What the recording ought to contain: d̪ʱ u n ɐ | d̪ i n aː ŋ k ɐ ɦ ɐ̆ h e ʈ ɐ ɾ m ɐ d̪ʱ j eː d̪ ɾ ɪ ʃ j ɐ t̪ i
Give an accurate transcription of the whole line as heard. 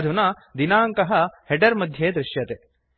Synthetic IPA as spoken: d̪ʱ u n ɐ | d̪ i n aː ŋ k ɐ ɦ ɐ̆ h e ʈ ɐ ɾ m ɐ d̪ʱ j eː d̪ ɾ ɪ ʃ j ɐ t̪ e